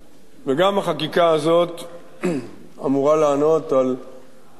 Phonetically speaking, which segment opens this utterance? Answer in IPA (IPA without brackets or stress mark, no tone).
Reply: v